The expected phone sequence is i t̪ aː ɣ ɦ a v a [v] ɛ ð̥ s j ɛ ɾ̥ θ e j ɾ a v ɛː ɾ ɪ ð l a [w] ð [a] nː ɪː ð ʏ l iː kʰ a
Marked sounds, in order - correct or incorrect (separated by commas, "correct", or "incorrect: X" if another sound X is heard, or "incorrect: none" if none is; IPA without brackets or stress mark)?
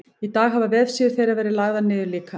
correct, incorrect: ɣ, correct